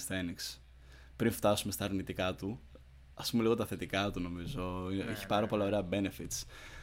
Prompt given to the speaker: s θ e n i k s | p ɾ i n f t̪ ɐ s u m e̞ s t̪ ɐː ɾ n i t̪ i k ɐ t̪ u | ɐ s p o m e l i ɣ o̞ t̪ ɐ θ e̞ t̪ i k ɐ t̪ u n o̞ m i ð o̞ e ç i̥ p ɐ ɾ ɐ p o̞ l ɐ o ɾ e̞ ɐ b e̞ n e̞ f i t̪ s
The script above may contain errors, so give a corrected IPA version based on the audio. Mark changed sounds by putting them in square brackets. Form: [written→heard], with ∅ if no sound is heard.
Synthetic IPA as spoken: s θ e n i k s | p ɾ i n f t̪ ɐ s u m e̞ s t̪ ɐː ɾ n i t̪ i k ɐ t̪ u | ɐ s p [o→u] m e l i ɣ o̞ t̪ ɐ θ e̞ t̪ i k ɐ t̪ u n o̞ m i [ð→z] o̞ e ç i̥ p ɐ ɾ ɐ p o̞ l ɐ o ɾ e̞ ɐ b e̞ n e̞ f i t̪ s